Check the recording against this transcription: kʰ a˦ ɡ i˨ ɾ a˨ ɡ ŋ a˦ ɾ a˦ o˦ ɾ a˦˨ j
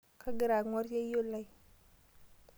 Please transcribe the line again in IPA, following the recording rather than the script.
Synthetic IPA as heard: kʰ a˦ ɡ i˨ ɾ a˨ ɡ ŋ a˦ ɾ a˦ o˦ l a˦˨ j